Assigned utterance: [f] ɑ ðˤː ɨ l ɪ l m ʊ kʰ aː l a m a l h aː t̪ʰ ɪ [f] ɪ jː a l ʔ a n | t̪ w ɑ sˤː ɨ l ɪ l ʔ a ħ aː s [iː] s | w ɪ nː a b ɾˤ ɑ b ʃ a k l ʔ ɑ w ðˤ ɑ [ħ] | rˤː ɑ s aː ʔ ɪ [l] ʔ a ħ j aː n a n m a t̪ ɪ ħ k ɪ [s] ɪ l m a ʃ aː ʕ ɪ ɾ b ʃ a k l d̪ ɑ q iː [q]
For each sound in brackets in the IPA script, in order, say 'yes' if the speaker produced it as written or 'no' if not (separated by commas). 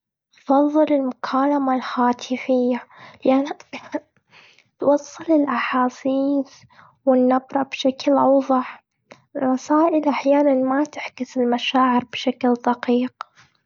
yes, yes, yes, yes, yes, yes, yes